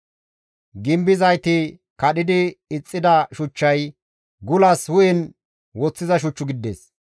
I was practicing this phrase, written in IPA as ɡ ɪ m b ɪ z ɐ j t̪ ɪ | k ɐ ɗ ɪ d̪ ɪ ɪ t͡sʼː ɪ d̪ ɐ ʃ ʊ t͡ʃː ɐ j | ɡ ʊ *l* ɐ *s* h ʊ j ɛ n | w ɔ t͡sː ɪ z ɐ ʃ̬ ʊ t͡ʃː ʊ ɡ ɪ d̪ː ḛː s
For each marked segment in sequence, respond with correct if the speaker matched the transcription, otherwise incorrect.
correct, correct

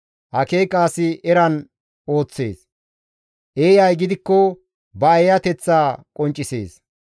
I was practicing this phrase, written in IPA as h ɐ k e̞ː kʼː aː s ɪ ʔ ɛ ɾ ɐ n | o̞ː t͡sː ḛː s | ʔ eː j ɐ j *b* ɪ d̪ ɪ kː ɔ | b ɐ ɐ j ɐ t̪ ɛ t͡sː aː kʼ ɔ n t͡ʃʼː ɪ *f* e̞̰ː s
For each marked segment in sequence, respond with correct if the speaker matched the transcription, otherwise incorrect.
incorrect, incorrect

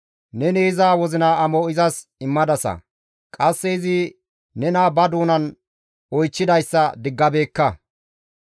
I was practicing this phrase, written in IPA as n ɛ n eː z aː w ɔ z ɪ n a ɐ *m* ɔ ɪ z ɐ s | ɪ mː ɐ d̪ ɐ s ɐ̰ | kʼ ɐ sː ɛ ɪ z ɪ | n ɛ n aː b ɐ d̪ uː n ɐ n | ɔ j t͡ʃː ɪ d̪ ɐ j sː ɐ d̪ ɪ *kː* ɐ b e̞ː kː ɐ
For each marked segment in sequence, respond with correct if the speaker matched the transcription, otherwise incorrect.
correct, incorrect

